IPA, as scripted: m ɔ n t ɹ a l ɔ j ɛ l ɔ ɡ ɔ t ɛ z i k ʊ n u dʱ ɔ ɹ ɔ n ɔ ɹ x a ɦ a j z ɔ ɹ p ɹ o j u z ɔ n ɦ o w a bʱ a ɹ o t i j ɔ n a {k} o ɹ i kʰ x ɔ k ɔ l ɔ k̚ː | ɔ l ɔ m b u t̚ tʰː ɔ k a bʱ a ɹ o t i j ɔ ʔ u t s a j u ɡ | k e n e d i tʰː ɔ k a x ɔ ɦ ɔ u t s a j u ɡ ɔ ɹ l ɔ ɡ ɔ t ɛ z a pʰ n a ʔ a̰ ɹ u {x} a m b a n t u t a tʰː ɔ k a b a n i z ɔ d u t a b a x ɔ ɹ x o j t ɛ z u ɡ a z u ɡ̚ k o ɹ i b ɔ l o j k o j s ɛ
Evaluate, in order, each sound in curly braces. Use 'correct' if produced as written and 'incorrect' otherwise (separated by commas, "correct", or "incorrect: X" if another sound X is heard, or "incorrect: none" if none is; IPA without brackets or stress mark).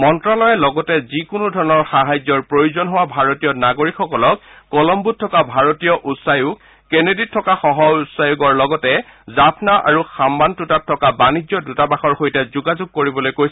incorrect: ɡ, correct